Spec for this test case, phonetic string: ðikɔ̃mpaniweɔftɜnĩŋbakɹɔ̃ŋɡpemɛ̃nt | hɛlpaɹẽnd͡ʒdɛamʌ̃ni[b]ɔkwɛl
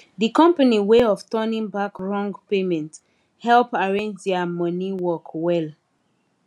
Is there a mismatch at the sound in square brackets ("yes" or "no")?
yes